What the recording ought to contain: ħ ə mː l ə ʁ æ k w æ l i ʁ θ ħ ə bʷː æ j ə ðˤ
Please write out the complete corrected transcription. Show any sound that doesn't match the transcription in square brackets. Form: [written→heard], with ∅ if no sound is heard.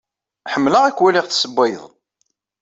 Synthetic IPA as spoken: ħ ə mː l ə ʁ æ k w æ l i ʁ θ [ħ→s] ə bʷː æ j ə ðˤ

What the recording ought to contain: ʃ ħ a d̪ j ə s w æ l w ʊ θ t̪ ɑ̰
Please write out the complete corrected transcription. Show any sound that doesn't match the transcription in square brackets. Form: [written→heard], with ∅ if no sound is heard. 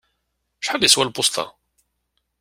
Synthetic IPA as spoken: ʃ ħ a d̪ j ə s w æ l [w→b] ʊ [θ→s] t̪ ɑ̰

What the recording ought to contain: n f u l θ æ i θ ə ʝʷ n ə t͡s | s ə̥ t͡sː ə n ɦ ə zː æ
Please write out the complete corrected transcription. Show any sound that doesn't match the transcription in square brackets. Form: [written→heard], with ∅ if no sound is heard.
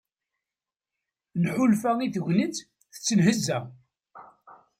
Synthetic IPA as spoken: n [f→ħ] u l [θ→f] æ i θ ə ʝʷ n ə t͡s | [s→θ] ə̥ t͡sː ə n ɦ ə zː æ

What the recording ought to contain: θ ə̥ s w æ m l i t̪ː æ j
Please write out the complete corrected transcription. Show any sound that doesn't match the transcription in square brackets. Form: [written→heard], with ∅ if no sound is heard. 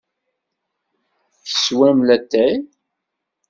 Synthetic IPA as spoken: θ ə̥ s w æ m l [i→æ] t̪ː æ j

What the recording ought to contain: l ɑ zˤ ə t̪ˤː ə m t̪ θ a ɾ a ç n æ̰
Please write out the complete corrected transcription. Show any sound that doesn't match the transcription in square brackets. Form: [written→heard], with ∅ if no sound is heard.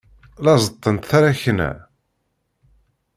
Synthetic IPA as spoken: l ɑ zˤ ə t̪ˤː ə [m→n] t̪ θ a ɾ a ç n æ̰

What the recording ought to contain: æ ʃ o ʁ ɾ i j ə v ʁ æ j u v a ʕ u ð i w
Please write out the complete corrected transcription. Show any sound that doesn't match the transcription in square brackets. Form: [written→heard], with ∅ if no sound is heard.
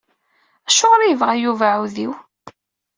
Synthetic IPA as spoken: æ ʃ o ʁ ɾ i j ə v ʁ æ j u v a ʕ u ð i w

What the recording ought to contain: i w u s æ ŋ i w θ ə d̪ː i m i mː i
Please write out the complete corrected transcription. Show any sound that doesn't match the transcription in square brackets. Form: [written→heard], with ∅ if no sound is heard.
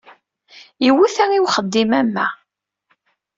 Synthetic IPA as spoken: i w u [s→θ] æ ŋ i w [θ→χ] ə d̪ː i m [i→æ] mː [i→æ]

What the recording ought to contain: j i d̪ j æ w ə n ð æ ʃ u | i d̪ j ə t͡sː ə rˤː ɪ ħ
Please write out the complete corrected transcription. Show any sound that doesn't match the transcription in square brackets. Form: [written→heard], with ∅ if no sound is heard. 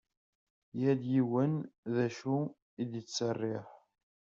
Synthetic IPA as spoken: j [i→æ] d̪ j [æ→i] w ə n ð æ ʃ u | i d̪ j ə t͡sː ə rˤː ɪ ħ

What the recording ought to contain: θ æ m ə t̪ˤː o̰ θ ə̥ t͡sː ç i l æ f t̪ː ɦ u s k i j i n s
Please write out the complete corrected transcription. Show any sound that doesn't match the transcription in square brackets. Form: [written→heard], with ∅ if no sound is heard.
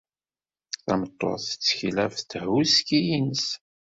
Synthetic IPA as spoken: θ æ m ə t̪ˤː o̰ θ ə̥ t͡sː ç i l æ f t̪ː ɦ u s k i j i n s

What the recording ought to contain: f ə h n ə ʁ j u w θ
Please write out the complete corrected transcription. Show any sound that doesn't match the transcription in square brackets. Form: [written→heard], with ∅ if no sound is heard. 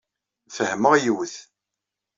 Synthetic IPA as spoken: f ə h [n→m] ə ʁ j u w θ

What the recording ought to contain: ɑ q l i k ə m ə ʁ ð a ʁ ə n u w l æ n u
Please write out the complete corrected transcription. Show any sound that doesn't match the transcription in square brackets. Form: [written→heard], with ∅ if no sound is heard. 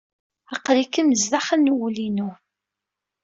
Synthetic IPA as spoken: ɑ q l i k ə m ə [ʁ→z] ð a [ʁ→χ] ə n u w l [æ→i] n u

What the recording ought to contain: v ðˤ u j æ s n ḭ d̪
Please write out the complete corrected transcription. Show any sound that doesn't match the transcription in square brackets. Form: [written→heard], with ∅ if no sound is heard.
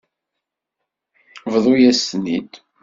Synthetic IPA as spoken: v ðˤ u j æ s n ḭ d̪

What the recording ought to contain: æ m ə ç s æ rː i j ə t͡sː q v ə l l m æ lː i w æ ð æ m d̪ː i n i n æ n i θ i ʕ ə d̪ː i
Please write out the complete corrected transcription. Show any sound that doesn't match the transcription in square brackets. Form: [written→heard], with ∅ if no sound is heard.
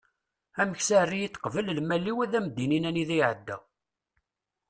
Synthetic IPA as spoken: æ m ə ç s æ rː i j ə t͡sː q v ə l l m æ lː i w æ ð æ m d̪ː i n i n æ n i [θ→ð] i ʕ ə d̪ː [i→æ]

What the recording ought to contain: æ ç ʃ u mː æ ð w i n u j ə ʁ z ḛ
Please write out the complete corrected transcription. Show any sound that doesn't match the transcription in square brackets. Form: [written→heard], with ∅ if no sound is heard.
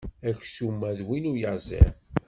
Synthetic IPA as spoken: æ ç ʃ u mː æ ð w i n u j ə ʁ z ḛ

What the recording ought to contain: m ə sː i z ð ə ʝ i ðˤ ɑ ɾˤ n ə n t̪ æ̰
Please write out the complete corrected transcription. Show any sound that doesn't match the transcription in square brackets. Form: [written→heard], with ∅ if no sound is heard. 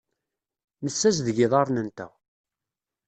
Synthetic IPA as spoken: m ə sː [i→æ] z ð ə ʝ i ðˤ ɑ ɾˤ n ə n t̪ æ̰

